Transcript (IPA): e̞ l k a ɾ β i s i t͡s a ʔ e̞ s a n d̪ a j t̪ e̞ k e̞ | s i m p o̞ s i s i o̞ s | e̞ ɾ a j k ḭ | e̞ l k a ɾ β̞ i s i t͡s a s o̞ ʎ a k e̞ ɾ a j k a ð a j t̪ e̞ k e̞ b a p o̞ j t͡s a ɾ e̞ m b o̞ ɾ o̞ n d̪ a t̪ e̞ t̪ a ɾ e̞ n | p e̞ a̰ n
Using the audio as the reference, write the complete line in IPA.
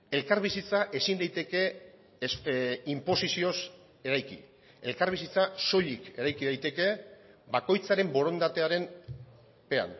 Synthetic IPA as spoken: e̞ l k a ɾ β i s i t͡s a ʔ e̞ s i n d̪ a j t̪ e̞ k e̞ | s i m p o̞ s i s i o̞ s | e̞ ɾ a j k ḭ | e̞ l k a ɾ β̞ i s i t͡s a s o̞ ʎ i k e̞ ɾ a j k i ð a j t̪ e̞ k e̞ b a k o̞ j t͡s a ɾ e̞ m b o̞ ɾ o̞ n d̪ a t̪ e̞ a ɾ e̞ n | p e̞ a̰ n